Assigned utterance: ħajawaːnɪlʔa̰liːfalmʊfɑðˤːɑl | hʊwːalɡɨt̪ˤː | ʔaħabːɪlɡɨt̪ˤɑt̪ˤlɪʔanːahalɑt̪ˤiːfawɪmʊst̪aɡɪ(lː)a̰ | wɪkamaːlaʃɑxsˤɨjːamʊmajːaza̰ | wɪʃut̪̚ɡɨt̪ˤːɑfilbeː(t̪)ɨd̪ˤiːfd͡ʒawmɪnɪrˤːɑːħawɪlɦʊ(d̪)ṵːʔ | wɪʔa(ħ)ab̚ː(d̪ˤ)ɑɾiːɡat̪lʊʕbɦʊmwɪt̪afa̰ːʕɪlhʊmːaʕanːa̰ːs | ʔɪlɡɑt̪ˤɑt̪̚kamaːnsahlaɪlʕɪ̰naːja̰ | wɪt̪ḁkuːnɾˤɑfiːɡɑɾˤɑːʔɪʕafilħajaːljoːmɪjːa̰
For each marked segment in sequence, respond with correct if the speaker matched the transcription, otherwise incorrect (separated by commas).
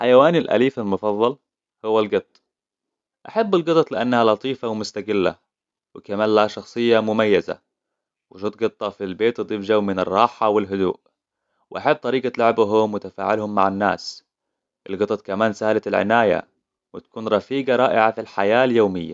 correct, correct, correct, correct, incorrect